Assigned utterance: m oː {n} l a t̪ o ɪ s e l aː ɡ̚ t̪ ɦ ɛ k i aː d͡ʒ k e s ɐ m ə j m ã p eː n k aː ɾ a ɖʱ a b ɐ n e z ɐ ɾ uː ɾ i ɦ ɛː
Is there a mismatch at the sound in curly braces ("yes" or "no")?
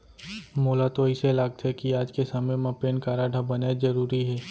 yes